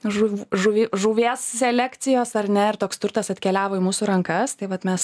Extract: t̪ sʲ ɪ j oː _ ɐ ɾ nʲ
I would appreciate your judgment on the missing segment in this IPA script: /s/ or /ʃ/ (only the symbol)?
s